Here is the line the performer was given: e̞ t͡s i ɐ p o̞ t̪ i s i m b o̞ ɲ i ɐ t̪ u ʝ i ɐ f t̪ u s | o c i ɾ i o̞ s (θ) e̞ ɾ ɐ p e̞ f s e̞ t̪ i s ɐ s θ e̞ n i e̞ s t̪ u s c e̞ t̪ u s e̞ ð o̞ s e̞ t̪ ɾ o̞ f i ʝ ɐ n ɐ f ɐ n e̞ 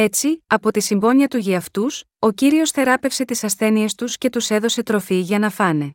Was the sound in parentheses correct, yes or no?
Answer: yes